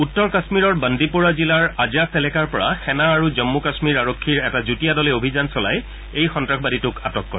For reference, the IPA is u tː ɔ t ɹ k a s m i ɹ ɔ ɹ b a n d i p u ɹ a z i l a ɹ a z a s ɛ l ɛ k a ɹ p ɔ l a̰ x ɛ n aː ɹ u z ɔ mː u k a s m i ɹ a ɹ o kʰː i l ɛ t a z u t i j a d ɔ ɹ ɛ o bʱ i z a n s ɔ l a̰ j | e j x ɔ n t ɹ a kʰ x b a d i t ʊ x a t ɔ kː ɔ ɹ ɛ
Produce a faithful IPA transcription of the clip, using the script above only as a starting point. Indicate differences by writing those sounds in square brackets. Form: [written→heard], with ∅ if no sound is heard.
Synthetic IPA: u tː ɔ [t→∅] ɹ k a s m i ɹ ɔ ɹ b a n d i p u ɹ a z i l a ɹ a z a s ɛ l ɛ k a ɹ p ɔ [l→ɹ] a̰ x ɛ n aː ɹ u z ɔ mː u k a s m i ɹ a ɹ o kʰː i [l→ɹ] ɛ t a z u t i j a d ɔ [ɹ→l] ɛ o bʱ i z a n s ɔ l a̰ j | e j x ɔ n t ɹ a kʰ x b a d i t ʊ [x→k] a t ɔ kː ɔ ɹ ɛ

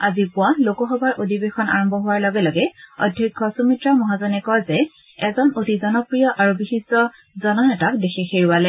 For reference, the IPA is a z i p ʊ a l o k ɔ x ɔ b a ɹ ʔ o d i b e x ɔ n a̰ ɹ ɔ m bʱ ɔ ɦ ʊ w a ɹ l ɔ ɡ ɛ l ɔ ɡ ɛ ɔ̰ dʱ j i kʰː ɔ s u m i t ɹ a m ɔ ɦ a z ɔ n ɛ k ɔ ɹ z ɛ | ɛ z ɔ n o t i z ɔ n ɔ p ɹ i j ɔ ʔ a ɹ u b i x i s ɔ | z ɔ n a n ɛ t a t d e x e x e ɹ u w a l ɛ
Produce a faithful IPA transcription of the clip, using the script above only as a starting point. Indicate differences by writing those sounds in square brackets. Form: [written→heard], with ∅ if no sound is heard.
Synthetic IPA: a z i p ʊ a l o k ɔ x ɔ b a ɹ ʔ o d i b e x ɔ n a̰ ɹ ɔ m bʱ ɔ ɦ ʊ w a ɹ l ɔ ɡ ɛ l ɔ ɡ ɛ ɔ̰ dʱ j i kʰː ɔ s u m i t ɹ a m ɔ ɦ a z ɔ n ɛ k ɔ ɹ z ɛ | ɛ z ɔ n o t i z ɔ n ɔ p ɹ i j ɔ ʔ a ɹ u b i x i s ɔ | z ɔ n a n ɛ t a [t→k] d e x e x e ɹ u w a l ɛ

